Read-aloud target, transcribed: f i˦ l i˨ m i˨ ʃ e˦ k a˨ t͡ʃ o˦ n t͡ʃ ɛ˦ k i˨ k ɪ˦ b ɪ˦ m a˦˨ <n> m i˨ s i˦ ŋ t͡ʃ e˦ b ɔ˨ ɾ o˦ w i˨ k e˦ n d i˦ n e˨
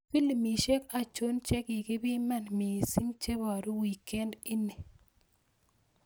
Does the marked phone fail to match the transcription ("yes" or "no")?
no